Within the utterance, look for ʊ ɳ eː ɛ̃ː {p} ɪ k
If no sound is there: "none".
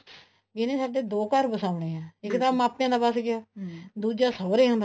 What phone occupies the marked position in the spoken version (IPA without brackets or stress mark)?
none